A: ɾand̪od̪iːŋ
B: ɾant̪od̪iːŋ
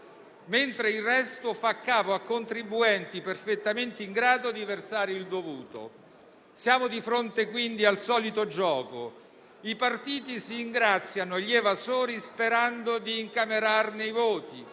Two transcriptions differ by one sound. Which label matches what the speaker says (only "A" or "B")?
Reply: A